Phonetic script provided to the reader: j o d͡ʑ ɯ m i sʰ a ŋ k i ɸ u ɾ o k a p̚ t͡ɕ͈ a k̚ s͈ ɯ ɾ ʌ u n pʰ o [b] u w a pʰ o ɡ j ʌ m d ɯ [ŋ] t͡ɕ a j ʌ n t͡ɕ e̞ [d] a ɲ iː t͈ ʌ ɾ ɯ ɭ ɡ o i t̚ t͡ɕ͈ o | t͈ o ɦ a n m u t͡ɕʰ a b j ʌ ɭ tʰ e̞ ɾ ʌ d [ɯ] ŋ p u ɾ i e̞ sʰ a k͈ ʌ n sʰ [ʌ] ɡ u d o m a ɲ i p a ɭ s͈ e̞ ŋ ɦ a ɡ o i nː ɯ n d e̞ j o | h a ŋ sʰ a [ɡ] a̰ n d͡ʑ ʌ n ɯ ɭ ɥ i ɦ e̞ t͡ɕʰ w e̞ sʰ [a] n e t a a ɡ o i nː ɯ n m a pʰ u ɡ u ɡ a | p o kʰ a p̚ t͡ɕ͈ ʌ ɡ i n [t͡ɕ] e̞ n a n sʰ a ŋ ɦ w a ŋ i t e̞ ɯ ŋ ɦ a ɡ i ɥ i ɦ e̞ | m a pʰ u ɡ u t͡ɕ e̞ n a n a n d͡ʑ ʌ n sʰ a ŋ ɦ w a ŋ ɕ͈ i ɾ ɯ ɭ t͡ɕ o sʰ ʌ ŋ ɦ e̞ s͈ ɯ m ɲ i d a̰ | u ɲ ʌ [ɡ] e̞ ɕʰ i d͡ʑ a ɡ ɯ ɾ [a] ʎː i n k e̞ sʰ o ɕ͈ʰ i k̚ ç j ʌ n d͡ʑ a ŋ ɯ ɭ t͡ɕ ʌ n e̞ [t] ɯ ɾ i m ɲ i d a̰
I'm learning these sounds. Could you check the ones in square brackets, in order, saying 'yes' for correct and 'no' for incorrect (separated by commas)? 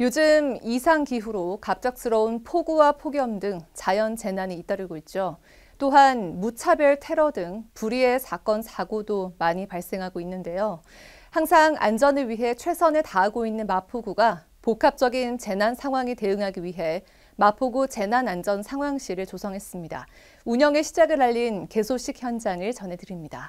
no, yes, no, yes, no, no, no, yes, no, yes, no